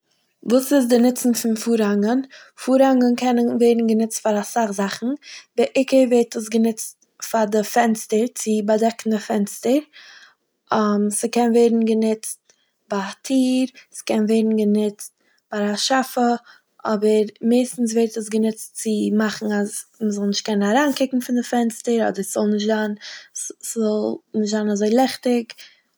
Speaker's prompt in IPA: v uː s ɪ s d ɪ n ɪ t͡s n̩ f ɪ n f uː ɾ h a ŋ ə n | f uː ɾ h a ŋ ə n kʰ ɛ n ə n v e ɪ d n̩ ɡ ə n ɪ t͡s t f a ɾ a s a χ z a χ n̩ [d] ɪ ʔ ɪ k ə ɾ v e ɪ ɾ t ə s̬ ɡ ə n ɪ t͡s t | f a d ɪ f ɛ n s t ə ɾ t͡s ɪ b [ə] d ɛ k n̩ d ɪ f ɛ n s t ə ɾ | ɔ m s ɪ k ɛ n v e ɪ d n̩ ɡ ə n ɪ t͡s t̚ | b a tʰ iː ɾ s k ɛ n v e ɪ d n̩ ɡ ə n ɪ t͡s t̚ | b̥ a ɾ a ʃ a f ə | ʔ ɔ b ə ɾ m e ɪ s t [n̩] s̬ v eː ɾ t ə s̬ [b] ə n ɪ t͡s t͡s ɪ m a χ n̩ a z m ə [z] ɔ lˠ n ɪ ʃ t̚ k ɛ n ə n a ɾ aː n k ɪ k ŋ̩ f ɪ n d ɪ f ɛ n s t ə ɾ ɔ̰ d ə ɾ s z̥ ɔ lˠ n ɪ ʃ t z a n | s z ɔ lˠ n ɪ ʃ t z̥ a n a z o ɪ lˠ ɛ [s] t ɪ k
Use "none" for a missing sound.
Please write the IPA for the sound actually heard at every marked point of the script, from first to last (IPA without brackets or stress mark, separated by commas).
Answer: b, a, n̩, ɡ, z, χ